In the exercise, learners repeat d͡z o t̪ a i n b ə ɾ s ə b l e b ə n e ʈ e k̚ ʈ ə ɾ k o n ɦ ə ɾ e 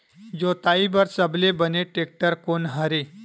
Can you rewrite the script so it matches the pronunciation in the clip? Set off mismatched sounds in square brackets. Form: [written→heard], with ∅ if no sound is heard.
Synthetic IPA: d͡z o t̪ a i [n→∅] b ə ɾ s ə b l e b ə n e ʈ e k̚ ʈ ə ɾ k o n ɦ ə ɾ e